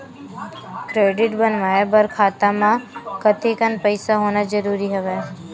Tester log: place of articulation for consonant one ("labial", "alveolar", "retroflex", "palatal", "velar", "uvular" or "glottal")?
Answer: velar